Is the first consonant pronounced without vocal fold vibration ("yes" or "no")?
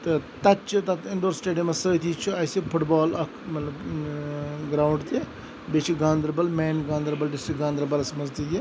yes